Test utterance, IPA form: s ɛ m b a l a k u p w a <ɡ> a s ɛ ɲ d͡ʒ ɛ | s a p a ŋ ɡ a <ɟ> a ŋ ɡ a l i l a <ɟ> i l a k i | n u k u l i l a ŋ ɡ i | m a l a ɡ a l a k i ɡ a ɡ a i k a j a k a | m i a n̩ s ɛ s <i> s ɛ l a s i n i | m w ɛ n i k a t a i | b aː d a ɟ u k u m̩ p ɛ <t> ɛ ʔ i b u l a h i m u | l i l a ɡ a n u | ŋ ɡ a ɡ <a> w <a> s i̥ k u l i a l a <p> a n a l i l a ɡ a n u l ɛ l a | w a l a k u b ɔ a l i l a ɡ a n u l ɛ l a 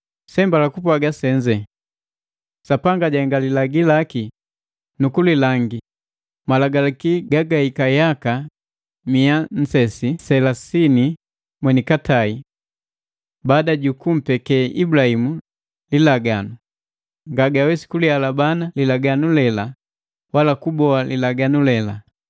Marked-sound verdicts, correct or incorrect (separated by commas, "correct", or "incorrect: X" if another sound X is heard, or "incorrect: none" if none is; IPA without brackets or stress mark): correct, correct, incorrect: ɡ, correct, incorrect: k, correct, incorrect: ɛ, incorrect: b